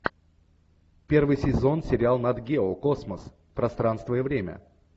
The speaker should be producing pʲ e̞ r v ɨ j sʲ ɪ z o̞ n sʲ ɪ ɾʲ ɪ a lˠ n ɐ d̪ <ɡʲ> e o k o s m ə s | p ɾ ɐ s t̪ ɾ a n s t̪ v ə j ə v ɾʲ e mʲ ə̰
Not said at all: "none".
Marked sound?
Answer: ɡʲ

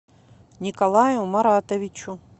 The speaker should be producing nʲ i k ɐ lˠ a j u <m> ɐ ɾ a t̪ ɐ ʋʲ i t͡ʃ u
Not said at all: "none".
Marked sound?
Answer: m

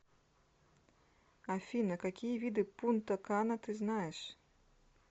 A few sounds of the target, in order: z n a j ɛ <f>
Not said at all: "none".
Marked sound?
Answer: ʂ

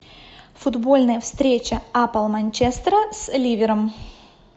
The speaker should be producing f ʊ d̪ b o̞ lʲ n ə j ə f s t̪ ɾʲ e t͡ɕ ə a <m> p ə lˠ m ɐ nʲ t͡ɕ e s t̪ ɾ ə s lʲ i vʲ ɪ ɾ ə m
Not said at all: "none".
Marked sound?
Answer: none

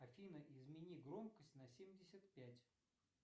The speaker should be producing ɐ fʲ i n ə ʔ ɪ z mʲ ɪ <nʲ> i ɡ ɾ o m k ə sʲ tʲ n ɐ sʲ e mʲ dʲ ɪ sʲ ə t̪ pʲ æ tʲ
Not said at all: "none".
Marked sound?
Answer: nʲ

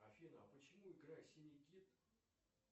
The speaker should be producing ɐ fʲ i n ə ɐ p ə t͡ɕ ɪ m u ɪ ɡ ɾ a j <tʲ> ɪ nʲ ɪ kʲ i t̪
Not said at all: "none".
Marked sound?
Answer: sʲ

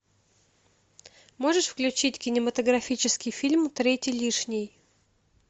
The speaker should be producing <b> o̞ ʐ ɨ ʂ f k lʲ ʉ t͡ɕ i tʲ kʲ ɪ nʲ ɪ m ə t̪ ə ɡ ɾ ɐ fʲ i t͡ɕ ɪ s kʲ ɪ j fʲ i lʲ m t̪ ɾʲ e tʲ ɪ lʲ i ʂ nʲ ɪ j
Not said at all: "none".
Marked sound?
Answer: m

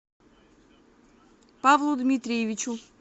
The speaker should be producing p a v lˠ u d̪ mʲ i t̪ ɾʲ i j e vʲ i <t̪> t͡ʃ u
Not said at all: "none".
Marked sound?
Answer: none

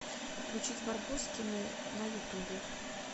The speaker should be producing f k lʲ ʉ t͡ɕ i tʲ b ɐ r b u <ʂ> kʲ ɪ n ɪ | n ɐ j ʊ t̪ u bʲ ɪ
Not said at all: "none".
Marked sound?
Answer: s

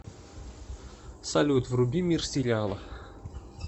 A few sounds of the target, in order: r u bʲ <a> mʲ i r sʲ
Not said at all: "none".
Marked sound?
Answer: i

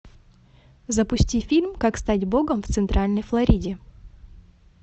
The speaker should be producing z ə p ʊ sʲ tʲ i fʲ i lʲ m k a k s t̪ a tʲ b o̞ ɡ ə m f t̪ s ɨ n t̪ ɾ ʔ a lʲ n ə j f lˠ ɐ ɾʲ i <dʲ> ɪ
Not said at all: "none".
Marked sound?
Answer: dʲ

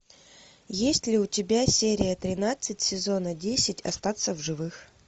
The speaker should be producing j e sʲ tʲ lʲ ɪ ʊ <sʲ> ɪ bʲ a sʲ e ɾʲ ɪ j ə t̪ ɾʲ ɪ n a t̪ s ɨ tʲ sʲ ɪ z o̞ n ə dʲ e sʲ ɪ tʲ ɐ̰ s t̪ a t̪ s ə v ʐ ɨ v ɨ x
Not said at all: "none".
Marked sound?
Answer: tʲ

